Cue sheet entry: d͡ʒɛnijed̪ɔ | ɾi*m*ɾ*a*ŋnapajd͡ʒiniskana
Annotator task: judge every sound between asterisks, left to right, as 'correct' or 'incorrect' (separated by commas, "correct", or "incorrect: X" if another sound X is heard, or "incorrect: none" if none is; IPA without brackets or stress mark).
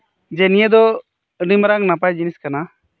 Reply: correct, correct